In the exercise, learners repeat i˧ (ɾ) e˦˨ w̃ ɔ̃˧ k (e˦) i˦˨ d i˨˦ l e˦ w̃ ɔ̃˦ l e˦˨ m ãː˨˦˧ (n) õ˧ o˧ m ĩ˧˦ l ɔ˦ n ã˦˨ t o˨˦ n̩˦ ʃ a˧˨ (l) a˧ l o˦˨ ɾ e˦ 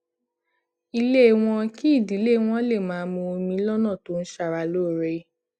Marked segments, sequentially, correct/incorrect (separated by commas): incorrect, incorrect, incorrect, incorrect